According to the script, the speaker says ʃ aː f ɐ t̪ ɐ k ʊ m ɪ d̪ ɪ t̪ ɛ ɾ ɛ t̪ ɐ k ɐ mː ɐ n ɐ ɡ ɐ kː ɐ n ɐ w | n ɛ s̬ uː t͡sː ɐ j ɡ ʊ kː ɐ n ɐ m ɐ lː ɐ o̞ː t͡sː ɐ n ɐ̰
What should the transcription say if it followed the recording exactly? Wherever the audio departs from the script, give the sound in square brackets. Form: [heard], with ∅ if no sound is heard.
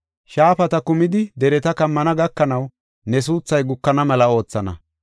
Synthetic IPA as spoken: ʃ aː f ɐ t̪ ɐ k ʊ m ɪ d̪ ɪ [d̪] ɛ ɾ ɛ t̪ ɐ k ɐ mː ɐ n ɐ ɡ ɐ kː ɐ n ɐ w | n ɛ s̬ uː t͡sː ɐ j ɡ ʊ kː ɐ n ɐ m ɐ [l] ɐ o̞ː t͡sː ɐ n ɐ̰